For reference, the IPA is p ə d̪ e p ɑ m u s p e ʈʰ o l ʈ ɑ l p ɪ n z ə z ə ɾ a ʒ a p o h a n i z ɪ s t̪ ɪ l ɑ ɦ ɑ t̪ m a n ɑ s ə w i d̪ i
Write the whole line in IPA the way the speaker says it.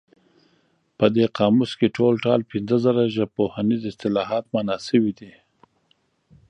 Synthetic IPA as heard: p ə d̪ e q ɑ m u s k e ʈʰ o l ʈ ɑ l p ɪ n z ə z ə ɾ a ʒ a p o h a n i z ɪ s t̪ ɪ l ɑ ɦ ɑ t̪ m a n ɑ s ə w i d̪ i